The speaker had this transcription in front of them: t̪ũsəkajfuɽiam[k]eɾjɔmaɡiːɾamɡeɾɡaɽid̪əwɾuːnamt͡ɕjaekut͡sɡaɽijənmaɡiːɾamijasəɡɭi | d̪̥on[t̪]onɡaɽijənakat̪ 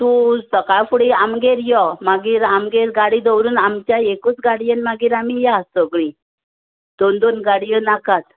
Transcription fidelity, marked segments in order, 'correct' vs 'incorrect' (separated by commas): incorrect, incorrect